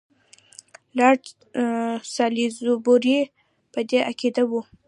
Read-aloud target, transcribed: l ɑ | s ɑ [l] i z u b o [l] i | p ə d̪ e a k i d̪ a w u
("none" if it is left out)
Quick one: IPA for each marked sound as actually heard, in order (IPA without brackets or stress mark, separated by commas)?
l, ɾ